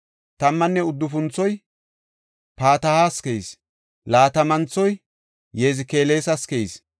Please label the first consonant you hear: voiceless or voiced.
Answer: voiceless